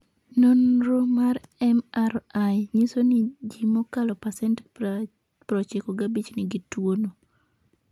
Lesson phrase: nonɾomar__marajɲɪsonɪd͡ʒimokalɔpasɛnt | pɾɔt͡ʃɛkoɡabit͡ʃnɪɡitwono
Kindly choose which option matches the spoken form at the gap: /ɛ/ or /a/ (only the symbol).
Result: ɛ